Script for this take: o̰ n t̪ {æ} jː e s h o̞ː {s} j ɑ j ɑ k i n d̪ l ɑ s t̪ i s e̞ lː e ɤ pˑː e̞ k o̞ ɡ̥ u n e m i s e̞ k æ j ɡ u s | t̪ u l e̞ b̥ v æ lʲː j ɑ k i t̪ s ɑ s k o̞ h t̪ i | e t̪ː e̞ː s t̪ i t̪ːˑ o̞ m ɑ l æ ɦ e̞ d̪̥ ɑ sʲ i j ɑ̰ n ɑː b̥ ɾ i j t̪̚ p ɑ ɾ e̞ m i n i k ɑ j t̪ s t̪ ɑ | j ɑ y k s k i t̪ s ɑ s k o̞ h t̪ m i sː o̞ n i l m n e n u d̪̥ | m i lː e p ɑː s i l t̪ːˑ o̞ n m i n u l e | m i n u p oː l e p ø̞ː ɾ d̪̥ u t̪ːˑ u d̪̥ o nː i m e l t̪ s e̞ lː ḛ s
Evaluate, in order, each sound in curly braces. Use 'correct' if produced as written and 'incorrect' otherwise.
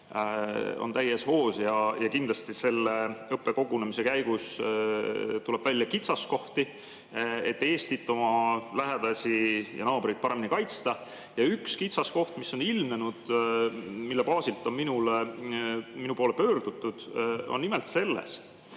correct, correct

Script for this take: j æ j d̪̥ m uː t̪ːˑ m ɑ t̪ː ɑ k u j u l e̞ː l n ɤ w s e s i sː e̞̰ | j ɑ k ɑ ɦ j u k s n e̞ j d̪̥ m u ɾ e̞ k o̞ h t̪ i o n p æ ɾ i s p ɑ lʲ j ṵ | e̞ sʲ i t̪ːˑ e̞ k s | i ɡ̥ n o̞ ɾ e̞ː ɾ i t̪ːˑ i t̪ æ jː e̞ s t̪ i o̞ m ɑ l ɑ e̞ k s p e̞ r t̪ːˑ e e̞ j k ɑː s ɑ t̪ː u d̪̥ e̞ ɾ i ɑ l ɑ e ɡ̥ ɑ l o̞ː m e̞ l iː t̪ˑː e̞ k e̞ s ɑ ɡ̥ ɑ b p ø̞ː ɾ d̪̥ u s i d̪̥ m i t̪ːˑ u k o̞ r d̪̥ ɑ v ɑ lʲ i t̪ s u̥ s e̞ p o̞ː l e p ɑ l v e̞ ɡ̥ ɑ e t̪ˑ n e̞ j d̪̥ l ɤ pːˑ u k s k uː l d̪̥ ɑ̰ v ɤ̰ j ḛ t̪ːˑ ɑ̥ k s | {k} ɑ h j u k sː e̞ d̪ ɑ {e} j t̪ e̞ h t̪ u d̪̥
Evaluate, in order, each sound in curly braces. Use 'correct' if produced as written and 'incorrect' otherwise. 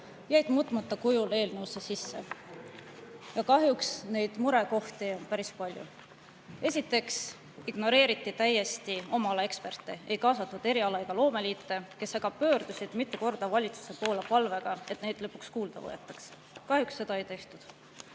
correct, correct

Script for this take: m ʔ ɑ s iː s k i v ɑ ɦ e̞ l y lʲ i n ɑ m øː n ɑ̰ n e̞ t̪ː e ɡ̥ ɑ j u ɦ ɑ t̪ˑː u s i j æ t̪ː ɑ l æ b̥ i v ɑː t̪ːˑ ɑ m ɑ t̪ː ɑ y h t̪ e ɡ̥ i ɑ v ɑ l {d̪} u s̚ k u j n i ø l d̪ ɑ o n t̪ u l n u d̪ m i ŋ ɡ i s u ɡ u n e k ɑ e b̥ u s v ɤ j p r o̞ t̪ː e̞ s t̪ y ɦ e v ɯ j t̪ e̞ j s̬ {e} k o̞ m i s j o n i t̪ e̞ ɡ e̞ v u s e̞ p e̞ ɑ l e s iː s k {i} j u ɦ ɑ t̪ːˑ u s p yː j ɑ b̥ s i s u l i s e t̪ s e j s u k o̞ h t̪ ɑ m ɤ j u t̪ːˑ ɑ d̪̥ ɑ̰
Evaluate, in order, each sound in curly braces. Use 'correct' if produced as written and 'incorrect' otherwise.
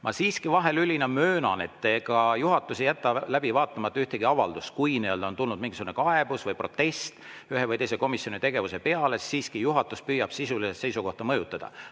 correct, correct, correct

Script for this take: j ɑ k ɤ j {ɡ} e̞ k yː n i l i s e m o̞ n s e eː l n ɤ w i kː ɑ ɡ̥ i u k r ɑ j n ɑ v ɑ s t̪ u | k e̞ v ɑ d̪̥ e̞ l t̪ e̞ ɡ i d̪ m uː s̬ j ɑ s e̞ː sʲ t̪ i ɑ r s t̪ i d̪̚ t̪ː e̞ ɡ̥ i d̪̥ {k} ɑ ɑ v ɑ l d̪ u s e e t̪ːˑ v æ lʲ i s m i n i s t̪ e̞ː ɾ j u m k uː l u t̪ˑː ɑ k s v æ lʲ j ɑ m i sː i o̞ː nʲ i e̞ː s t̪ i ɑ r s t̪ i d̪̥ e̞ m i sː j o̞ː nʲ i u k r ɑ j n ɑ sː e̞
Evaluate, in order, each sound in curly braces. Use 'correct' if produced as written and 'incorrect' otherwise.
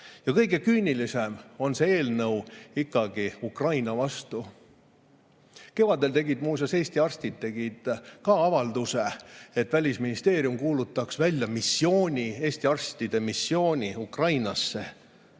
correct, correct

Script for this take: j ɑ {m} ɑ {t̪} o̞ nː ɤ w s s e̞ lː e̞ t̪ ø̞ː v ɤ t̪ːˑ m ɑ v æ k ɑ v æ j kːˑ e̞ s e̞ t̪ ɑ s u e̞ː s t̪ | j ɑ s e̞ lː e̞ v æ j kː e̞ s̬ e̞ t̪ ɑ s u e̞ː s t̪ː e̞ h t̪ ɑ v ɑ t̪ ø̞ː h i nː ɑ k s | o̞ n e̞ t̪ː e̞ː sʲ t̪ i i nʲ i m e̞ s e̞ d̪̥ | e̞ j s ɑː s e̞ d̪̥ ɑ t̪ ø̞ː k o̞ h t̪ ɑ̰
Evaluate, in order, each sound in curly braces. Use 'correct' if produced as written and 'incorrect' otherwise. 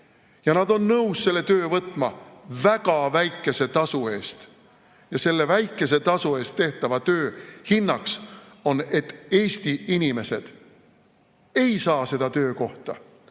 incorrect: n, incorrect: d̪

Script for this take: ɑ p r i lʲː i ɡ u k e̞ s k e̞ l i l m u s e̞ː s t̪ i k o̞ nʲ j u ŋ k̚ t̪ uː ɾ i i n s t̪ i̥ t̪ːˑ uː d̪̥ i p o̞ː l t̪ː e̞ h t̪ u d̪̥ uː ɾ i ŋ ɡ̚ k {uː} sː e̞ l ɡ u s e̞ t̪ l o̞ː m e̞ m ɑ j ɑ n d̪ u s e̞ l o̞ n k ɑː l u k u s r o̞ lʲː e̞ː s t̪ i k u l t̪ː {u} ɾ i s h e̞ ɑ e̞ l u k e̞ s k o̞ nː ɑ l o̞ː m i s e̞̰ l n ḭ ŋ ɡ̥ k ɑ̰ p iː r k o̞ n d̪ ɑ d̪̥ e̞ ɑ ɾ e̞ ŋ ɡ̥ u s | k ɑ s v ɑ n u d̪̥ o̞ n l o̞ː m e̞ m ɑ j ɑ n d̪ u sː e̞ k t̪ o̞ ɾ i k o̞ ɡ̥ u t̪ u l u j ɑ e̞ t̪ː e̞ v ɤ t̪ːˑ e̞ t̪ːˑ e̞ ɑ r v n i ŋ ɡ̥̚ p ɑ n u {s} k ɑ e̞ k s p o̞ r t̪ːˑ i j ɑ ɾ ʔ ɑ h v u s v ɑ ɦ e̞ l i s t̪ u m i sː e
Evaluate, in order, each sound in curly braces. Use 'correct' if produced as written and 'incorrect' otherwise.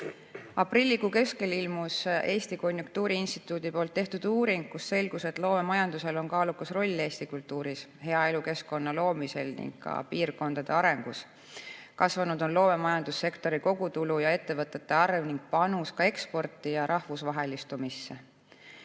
incorrect: u, incorrect: uː, correct

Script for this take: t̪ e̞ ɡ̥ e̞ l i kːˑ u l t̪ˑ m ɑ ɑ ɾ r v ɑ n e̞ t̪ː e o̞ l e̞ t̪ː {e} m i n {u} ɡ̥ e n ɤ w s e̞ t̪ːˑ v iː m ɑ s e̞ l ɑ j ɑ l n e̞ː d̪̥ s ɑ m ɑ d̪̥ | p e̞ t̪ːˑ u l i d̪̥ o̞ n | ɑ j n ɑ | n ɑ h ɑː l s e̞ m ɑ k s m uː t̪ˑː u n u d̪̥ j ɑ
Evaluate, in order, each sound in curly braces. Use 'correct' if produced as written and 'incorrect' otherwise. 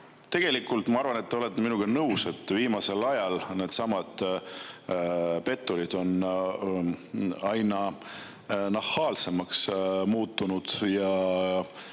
correct, correct

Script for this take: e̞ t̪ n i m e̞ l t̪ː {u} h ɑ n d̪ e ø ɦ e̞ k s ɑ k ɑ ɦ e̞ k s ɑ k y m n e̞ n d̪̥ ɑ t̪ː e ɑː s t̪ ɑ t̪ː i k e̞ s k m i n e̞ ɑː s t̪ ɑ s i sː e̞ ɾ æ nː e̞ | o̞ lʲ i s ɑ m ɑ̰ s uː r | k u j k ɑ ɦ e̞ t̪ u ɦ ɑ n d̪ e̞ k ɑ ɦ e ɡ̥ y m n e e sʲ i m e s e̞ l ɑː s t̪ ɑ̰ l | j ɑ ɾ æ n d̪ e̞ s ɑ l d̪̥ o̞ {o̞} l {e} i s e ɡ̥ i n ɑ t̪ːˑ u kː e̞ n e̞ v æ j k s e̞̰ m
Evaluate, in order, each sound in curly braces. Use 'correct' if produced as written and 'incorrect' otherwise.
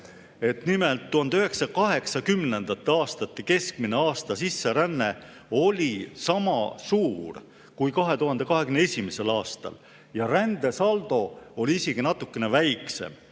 correct, correct, incorrect: i

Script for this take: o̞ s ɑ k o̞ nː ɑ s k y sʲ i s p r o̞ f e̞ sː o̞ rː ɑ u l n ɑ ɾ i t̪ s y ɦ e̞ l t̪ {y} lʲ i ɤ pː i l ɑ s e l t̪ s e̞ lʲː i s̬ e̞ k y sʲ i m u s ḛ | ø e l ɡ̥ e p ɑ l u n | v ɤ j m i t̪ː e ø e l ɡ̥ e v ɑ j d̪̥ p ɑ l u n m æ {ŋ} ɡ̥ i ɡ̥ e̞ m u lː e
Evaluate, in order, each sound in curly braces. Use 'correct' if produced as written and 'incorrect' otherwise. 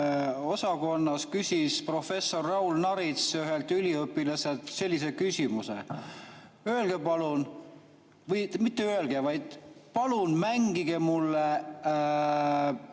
correct, correct

